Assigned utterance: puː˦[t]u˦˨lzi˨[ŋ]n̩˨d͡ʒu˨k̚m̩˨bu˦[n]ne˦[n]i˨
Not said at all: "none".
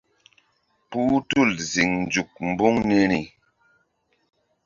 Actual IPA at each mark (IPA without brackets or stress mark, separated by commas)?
t, ŋ, ŋ, n